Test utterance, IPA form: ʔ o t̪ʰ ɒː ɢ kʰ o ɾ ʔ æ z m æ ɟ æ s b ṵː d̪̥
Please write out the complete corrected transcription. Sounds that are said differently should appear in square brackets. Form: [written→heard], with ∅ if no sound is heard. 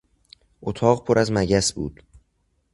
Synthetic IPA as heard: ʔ o t̪ʰ ɒː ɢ [kʰ→pʰ] o ɾ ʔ æ z m æ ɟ æ s b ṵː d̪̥